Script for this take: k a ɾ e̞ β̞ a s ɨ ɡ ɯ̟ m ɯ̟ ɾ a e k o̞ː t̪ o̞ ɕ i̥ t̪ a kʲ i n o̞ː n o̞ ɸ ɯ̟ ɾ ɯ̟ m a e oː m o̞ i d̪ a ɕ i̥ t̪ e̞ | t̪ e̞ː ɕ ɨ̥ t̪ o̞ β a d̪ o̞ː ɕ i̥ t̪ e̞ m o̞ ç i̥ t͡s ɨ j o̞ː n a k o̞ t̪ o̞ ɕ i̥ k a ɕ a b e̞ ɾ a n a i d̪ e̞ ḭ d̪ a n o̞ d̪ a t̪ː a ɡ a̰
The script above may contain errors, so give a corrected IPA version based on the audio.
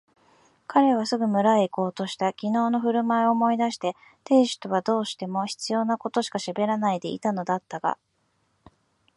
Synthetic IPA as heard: k a ɾ e̞ β̞ a s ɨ ɡ ɯ̟ m ɯ̟ ɾ a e k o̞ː t̪ o̞ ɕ i̥ t̪ a kʲ i n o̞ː n o̞ ɸ ɯ̟ ɾ ɯ̟ m a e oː m o̞ i d̪ a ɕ i̥ t̪ e̞ | t̪ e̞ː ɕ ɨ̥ t̪ o̞ β a d̪ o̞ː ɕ i̥ t̪ e̞ m o̞ ç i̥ t͡s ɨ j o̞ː n a k o̞ t̪ o̞ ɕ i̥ k a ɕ a b e̞ ɾ a n a i d̪ e̞ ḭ t̪ a n o̞ d̪ a t̪ː a ɡ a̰